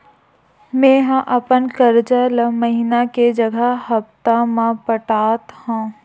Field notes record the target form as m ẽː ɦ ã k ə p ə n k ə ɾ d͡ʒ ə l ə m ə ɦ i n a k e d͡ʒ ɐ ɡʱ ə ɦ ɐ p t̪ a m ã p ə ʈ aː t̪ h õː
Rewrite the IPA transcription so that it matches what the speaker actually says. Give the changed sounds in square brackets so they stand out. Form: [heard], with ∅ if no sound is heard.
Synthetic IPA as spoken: m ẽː ɦ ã [ʔ] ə p ə n k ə ɾ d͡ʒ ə l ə m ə ɦ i n a k e d͡ʒ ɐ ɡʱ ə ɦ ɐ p t̪ a m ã p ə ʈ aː t̪ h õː